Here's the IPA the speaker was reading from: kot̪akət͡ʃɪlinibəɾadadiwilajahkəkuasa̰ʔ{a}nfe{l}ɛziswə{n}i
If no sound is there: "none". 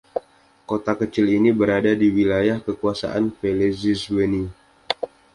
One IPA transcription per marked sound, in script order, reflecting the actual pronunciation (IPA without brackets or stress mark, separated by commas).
a, l, n